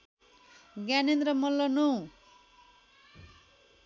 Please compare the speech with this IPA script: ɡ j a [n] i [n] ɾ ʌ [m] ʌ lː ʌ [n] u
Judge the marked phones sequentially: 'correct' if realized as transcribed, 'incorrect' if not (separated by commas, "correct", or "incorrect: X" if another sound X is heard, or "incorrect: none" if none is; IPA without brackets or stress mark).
correct, correct, correct, correct